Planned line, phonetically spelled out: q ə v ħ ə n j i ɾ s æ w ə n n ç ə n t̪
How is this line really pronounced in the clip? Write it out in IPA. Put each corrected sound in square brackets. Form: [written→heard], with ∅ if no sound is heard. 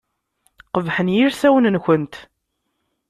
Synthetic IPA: q ə v ħ ə n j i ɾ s æ w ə n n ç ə n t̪